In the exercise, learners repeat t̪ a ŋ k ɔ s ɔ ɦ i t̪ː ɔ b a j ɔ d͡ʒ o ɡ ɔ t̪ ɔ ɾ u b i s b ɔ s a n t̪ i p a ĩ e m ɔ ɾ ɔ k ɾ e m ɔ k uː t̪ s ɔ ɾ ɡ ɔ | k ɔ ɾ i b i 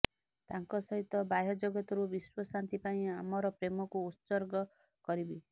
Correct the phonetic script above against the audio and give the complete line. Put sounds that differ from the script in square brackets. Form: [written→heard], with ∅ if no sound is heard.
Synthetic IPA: t̪ a ŋ k ɔ s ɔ ɦ i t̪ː ɔ b a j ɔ d͡ʒ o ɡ ɔ t̪ ɔ ɾ u b i s [b→w] ɔ s a n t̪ i p a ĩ [e→a] m ɔ ɾ ɔ [k→p] ɾ e m ɔ k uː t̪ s ɔ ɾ ɡ ɔ | k ɔ ɾ i b i